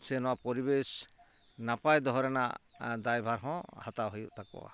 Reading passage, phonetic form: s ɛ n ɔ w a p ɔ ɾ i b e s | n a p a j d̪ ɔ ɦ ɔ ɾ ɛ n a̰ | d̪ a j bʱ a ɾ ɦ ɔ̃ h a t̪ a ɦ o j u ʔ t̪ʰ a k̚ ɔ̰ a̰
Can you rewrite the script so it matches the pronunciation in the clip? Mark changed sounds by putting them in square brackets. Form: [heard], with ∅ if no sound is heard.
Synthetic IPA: s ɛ n ɔ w a p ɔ ɾ i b e s | n a p a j d̪ ɔ ɦ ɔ ɾ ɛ n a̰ | d̪ a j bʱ a ɾ ɦ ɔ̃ h a t̪ a ɦ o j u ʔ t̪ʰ a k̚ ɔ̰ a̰